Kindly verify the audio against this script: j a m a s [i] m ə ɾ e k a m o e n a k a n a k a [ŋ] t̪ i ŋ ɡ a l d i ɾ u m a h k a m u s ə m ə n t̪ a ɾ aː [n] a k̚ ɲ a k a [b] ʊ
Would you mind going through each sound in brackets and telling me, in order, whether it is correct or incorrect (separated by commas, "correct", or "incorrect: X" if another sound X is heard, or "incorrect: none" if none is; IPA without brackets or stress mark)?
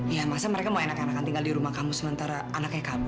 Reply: incorrect: a, incorrect: n, correct, correct